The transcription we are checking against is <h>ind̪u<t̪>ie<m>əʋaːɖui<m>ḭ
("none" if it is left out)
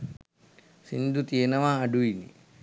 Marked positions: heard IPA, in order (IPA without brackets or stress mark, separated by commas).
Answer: s, t̪, n, n